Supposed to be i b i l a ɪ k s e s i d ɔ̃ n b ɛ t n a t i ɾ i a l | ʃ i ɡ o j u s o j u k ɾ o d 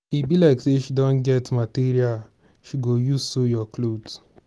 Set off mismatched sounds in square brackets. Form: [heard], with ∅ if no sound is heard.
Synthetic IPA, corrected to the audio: i b i l a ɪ k s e [ʃ] i d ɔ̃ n [ɡ] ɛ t [m] a t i ɾ i a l | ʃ i ɡ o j u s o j [ɔ] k [l] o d